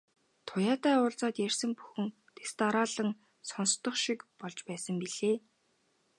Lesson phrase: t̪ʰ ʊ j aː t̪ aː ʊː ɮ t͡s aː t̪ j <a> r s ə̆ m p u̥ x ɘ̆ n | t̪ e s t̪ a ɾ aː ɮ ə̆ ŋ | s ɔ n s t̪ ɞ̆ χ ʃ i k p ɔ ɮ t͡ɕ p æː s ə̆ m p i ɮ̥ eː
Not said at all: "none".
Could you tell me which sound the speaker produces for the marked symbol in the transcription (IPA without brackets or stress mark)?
æ